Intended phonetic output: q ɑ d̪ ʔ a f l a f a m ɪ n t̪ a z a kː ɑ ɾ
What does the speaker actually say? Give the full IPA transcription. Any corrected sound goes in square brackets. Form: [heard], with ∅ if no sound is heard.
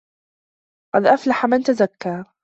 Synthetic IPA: q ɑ d̪ ʔ a f l a [ħ] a m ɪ n t̪ a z a kː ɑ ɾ